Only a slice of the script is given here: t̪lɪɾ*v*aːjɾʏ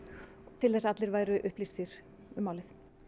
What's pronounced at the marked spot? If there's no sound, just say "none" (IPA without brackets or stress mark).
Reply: v